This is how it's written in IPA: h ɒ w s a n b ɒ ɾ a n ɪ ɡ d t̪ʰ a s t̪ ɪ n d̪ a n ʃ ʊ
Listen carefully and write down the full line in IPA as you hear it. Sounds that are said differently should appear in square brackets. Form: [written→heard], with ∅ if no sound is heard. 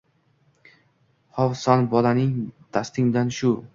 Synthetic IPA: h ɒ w s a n b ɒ [ɾ→l] a n ɪ [ɡ→ŋ] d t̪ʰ a s t̪ ɪ [n→ŋ] d̪ a n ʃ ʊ